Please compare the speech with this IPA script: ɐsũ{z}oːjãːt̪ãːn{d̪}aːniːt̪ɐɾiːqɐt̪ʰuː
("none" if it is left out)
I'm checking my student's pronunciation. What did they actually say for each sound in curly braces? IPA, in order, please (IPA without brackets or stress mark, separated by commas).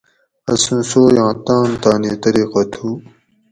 s, t̪